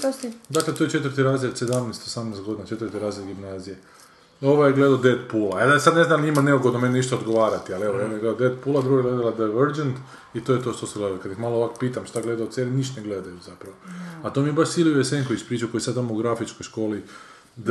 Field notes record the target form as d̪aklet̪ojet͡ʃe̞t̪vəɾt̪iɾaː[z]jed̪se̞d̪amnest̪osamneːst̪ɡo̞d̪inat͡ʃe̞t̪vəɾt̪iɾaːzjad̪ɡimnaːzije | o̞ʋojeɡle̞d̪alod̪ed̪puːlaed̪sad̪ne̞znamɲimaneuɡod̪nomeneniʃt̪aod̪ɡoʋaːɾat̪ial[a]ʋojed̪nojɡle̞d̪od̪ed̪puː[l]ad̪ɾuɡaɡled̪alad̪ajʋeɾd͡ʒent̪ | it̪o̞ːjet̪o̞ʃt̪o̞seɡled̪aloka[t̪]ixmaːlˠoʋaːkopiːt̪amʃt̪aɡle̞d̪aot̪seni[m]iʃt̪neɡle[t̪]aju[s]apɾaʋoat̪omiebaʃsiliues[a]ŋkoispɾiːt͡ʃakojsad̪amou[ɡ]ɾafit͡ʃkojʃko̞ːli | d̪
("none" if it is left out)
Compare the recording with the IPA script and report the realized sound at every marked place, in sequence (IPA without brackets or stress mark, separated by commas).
z, e, l, d̪, n, d̪, z, e, ɡ